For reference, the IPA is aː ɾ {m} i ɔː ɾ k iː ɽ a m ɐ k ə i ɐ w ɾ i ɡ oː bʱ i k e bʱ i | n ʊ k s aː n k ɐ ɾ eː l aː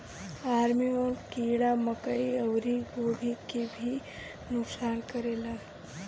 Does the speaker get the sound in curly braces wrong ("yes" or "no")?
no